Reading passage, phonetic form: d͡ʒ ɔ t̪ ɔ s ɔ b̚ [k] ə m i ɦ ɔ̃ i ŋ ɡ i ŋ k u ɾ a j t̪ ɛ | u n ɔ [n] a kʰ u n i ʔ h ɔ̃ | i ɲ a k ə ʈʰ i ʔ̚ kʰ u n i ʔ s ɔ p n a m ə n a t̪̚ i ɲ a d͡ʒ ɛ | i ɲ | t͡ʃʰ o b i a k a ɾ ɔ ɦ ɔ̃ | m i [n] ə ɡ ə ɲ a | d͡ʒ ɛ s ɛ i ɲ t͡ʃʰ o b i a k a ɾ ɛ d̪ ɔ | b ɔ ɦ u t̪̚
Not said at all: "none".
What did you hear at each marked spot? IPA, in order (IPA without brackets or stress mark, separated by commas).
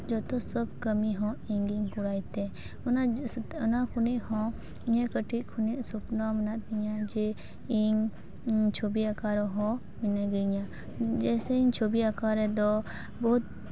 k, n, n